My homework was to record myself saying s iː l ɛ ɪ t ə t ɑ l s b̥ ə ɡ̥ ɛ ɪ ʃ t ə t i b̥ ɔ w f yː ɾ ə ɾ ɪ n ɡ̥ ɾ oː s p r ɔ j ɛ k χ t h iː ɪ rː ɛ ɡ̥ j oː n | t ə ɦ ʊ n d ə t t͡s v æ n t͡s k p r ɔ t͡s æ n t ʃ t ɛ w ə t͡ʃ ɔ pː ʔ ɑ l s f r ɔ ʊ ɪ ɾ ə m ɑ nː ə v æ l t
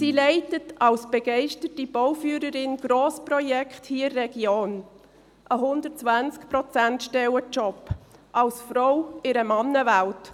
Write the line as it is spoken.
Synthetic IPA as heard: s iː l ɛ ɪ t ə t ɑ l s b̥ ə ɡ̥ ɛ ɪ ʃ t ə t i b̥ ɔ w f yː ɾ ə ɾ ɪ n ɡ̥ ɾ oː s p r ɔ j ɛ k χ t h iː ɪ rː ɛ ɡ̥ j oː n | ʔ ə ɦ ʊ n d ə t t͡s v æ n t͡s k p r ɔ t͡s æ n t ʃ t ɛ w ə t͡ʃ ɔ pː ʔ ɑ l s f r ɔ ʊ ɪ ɾ ə m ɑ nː ə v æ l t